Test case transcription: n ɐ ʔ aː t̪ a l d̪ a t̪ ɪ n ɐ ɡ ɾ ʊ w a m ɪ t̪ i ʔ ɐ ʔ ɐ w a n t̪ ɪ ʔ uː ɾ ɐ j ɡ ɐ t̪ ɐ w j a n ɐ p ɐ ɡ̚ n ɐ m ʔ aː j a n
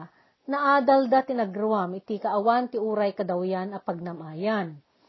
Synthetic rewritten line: n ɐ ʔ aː d̪ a l d̪ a t̪ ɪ n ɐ ɡ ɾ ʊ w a m ɪ t̪ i k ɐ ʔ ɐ w a n t̪ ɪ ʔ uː ɾ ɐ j k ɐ d̪ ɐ w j a n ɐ p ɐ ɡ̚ n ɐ m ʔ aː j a n